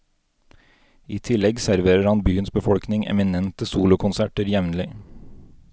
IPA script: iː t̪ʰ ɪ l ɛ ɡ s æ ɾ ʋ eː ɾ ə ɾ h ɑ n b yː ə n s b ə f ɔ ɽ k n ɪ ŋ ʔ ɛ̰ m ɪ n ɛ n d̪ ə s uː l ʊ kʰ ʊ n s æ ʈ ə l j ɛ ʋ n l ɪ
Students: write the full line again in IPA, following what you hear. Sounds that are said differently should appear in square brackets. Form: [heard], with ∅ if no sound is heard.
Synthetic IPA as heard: iː t̪ʰ ɪ l ɛ ɡ s æ ɾ ʋ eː ɾ ə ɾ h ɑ n b yː ə n s b ə f ɔ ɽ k n ɪ ŋ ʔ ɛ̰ m ɪ n ɛ n [t̪] ə s uː l ʊ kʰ ʊ n s æ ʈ ə [ɾ] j ɛ ʋ n l ɪ